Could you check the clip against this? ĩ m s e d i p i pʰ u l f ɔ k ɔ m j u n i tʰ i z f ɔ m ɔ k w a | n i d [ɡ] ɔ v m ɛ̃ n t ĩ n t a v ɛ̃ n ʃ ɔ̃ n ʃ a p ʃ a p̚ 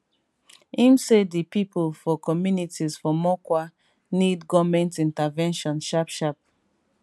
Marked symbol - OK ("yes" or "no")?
yes